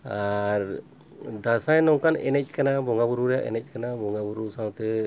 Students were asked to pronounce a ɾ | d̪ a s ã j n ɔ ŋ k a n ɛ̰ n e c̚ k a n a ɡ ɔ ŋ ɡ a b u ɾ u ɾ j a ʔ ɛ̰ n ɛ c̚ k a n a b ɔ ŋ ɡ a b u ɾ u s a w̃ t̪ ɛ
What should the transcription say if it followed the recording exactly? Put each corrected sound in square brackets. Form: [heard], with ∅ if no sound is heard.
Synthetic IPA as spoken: a ɾ | d̪ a s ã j n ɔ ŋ k a n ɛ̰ n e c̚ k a n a [b] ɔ ŋ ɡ a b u ɾ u ɾ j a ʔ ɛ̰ n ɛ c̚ k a n a b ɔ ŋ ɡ a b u ɾ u s a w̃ t̪ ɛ